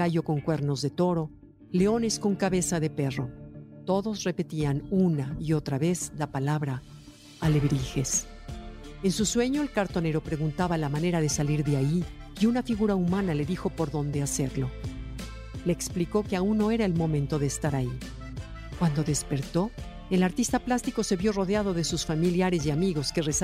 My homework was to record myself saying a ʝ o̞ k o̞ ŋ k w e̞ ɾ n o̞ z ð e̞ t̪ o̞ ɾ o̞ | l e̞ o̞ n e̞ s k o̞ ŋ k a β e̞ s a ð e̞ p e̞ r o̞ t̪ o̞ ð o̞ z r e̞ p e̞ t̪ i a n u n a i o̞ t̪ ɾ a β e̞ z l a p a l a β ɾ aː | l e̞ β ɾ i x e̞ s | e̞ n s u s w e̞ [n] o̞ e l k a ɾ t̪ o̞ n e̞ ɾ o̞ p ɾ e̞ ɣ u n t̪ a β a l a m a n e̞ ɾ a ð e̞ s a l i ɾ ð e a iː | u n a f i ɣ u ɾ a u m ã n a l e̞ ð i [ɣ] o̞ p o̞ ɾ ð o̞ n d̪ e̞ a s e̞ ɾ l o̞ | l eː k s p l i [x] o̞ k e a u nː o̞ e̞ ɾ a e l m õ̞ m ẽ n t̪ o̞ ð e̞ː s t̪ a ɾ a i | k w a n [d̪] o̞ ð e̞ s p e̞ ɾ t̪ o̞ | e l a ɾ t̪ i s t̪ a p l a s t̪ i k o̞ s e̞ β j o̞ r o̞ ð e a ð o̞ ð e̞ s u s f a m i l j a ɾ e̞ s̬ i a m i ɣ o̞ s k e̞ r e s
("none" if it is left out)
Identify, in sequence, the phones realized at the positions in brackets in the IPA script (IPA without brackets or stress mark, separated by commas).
ɲ, x, k, d̪